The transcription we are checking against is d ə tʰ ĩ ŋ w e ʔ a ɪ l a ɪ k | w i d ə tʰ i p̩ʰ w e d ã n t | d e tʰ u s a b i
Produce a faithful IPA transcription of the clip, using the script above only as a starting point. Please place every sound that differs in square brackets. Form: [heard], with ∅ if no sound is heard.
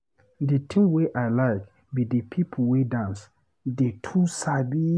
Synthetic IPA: d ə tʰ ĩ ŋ w e ʔ a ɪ l a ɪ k | [b] i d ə [pʰ] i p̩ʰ w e d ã n [s] | d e tʰ u s a b i